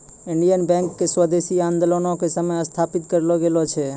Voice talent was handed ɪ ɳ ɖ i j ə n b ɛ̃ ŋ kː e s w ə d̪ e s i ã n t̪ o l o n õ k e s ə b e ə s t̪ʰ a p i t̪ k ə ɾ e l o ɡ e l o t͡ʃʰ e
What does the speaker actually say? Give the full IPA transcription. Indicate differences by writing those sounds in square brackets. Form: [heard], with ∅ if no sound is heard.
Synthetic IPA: ɪ ɳ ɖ i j ə n b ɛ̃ ŋ kː e s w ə d̪ e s i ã n [d̪] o l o n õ k e s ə [m] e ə s t̪ʰ a p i t̪ k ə ɾ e l o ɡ e l o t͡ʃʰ e